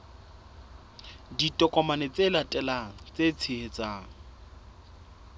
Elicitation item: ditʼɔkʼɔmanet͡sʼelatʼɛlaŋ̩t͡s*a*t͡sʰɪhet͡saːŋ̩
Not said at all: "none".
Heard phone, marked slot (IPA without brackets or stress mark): e